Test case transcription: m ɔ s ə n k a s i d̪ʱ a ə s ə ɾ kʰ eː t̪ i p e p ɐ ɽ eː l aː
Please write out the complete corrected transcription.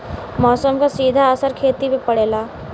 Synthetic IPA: m ɔː s ə m k a s iː d̪ʱ a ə s ə ɾ kʰ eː t̪ i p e p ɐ ɽ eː l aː